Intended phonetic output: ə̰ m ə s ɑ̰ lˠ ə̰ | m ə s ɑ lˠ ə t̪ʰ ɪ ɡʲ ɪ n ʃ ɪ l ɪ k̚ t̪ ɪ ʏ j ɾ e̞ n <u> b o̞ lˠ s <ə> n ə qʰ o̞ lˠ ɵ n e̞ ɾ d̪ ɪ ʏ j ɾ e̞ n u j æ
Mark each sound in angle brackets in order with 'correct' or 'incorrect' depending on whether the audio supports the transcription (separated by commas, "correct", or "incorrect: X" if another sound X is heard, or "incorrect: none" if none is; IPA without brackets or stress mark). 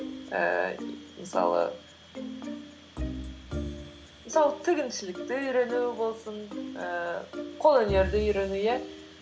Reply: correct, correct